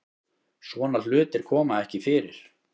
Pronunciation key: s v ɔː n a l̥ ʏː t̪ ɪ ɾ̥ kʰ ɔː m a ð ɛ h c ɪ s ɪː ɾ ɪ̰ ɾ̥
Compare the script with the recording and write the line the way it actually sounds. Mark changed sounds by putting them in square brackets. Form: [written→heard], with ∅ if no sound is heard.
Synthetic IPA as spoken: s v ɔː n a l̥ ʏː t̪ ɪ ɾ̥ kʰ ɔː m a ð ɛ h c ɪ [s→f] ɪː ɾ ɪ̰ ɾ̥